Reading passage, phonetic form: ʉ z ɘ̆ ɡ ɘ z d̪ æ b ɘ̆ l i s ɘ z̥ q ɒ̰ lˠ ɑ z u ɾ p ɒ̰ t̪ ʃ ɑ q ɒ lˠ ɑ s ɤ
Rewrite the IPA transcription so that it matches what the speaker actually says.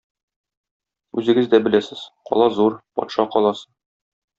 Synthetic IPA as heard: ʉ z ɘ̆ ɡ ɘ z d̪ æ b ɘ̆ l æ s ɘ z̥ q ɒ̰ lˠ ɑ z u ɾ p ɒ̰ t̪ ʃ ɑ q ɒ lˠ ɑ s ɤ